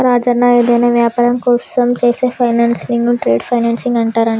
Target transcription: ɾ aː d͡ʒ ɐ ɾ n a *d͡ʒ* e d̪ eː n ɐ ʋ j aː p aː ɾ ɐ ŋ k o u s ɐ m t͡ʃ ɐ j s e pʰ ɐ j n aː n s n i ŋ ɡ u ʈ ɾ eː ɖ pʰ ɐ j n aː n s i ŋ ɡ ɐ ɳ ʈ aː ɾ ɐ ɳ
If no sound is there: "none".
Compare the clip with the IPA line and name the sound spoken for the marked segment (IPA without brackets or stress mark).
none